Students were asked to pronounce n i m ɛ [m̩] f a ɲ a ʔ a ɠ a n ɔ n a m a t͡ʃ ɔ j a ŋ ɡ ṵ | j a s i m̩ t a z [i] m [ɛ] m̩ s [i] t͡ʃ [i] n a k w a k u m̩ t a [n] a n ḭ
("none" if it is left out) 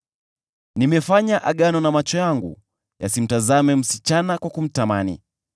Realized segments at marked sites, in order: none, a, ɛ, i, a, m

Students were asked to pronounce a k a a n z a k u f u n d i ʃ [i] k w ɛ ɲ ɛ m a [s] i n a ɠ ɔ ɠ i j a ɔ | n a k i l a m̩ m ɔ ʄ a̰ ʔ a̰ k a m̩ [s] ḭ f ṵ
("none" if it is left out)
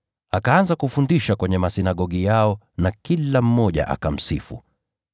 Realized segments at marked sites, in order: a, s, s

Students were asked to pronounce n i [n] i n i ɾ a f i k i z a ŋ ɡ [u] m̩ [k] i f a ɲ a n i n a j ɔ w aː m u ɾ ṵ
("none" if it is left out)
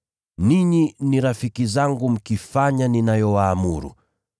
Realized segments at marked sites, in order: ɲ, u, k

